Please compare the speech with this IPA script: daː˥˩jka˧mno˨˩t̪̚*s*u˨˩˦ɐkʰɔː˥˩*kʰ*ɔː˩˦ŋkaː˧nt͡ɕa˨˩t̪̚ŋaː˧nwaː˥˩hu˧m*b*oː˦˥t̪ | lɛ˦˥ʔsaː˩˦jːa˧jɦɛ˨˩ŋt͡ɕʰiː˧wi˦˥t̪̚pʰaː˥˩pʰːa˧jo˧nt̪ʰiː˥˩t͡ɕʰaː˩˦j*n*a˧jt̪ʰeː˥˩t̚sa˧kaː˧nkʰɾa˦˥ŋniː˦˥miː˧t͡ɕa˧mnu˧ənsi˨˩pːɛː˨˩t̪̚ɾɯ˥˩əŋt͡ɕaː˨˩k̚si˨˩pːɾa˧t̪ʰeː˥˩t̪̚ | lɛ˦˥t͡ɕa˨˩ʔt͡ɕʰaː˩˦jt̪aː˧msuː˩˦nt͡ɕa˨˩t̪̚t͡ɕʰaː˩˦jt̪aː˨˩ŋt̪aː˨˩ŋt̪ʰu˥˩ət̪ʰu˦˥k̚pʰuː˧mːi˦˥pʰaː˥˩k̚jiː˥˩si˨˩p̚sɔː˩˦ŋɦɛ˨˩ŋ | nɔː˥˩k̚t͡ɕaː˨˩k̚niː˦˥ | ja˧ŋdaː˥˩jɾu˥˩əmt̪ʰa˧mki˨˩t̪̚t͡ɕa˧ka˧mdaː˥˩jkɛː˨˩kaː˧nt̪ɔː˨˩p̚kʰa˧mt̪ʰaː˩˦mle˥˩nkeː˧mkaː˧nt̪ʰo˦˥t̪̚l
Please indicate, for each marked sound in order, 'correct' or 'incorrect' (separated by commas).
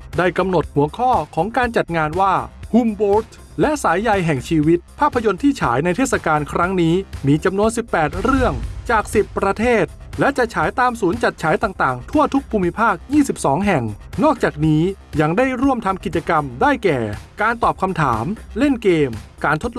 incorrect, correct, correct, correct